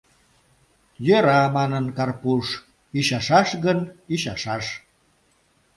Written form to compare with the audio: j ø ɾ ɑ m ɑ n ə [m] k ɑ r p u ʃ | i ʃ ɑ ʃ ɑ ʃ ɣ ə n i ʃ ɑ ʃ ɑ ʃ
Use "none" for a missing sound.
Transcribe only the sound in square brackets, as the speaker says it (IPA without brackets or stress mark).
n